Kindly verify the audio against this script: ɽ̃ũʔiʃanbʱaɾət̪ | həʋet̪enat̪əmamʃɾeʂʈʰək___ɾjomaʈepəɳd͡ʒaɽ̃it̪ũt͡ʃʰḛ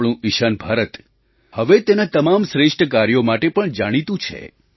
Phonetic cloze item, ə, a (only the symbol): a